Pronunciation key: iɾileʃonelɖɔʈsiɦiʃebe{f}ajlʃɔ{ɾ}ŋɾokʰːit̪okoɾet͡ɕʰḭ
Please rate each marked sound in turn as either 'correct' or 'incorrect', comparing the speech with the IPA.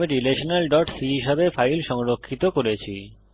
correct, incorrect: none

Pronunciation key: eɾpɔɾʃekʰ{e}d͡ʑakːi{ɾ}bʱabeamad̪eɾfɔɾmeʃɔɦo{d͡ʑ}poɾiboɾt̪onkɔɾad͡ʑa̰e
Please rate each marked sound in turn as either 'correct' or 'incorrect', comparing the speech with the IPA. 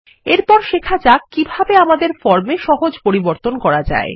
incorrect: a, incorrect: none, correct

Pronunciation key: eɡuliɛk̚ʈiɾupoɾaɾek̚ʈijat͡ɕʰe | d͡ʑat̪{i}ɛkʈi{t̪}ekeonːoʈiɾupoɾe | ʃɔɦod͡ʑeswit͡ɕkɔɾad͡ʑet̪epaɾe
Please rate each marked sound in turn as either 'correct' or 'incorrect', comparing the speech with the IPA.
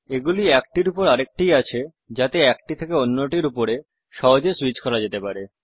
incorrect: e, incorrect: t̪ʰ

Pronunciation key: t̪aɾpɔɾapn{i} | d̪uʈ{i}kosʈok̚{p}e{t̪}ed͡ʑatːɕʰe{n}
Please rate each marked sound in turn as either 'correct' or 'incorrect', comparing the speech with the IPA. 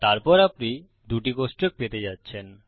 correct, correct, correct, correct, correct

